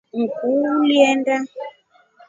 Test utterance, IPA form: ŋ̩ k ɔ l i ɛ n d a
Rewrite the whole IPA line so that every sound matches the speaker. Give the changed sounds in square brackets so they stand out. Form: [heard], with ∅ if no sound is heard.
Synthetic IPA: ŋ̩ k [u] l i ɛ n d a